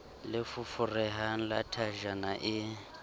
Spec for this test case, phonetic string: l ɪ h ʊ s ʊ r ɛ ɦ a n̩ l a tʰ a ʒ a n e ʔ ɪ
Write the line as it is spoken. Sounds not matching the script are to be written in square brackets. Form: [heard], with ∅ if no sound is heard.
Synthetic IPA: l ɪ [f] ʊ [f] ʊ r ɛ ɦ a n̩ l a tʰ a ʒ a n [a] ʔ ɪ